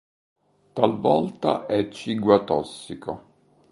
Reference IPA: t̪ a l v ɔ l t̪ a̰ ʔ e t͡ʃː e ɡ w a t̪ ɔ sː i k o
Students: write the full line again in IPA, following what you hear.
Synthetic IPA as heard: t̪ a l v ɔ l t̪ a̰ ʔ ɛ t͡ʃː i ɡ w a t̪ ɔ sː i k o